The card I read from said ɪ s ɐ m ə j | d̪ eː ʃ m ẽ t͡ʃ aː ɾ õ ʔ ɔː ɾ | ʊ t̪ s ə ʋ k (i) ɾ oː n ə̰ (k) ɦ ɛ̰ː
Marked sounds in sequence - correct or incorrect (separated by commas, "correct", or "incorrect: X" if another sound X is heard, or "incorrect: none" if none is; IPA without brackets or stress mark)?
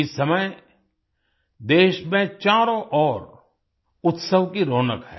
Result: correct, correct